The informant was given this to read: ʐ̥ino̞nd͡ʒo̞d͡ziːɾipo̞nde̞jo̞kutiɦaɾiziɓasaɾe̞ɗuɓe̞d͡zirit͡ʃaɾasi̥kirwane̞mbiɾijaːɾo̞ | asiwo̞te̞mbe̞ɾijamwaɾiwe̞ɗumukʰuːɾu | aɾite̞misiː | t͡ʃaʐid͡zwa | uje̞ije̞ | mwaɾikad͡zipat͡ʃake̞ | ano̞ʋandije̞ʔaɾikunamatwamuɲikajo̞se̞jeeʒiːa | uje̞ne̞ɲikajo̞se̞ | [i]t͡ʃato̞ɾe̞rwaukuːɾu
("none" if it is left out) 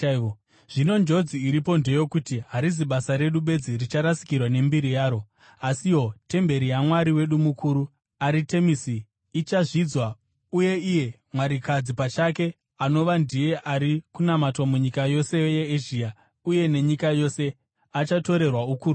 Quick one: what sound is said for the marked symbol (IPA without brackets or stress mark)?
a